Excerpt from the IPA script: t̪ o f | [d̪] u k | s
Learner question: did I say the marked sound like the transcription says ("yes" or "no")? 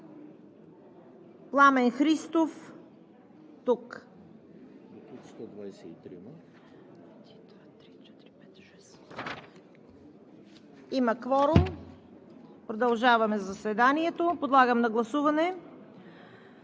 no